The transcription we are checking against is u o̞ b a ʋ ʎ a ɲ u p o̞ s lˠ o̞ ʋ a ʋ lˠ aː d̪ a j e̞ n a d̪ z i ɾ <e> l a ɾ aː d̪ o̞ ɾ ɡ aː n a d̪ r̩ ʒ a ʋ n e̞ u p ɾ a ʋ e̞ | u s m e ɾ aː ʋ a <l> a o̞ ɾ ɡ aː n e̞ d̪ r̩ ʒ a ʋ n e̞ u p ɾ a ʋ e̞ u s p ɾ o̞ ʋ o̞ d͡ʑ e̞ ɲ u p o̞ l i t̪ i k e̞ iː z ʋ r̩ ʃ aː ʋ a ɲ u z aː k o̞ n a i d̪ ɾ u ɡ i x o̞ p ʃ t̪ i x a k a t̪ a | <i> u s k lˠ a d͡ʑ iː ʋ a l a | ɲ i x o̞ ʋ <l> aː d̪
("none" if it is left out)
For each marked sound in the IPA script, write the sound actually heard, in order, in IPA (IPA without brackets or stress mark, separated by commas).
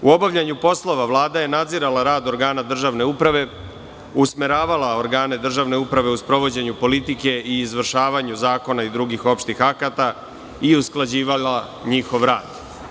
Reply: a, l, i, ɾ